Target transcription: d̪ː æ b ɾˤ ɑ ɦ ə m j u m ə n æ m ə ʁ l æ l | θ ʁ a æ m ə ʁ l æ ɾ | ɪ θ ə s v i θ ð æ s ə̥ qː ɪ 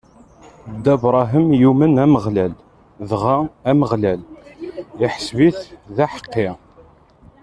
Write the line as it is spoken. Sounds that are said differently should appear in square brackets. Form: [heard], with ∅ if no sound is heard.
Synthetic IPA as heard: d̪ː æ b ɾˤ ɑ ɦ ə m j u m ə n æ m ə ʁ l æ l | [ð] ʁ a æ m ə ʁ l æ [l] | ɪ [ħ] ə s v i θ ð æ [ħ] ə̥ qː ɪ